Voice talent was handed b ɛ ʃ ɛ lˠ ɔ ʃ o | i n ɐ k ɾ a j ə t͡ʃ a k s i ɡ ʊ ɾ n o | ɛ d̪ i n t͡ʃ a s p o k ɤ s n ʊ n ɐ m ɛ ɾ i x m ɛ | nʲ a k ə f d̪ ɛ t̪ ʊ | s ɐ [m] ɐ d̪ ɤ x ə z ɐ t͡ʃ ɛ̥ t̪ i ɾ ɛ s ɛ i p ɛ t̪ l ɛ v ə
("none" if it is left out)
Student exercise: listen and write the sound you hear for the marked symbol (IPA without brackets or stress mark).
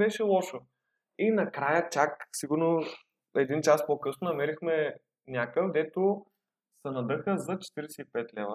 n